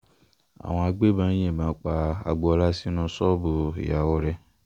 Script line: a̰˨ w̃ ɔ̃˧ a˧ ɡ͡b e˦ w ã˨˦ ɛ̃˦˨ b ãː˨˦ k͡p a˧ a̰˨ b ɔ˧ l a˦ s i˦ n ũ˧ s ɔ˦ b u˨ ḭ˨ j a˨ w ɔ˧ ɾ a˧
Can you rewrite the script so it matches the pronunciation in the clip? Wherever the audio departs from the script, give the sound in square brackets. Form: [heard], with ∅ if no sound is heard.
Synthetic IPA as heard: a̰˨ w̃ ɔ̃˧ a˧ ɡ͡b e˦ [b] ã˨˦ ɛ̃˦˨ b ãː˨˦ k͡p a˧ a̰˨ [ɡ͡b] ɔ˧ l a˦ s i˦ n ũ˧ s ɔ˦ b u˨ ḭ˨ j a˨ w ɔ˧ ɾ [ɛ˧]